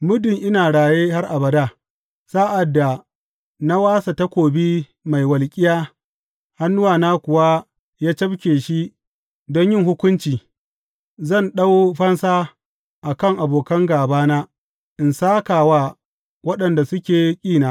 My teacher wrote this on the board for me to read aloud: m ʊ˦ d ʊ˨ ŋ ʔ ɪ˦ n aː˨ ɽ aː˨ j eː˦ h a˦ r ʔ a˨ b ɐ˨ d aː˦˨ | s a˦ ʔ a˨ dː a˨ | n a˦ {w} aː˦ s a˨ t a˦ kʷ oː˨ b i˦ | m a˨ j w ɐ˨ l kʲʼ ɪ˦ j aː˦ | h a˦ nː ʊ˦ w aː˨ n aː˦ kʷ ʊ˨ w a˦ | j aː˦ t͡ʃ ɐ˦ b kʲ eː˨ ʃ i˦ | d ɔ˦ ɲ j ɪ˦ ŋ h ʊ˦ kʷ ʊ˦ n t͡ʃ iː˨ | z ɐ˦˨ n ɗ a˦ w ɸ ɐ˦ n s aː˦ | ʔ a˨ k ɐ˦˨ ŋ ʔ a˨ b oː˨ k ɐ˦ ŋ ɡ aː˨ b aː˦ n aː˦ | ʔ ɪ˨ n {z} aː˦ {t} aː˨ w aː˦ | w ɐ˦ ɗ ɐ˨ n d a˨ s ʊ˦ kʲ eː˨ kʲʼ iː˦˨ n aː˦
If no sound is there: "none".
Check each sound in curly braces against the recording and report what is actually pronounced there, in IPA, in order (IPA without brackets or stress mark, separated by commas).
w, s, k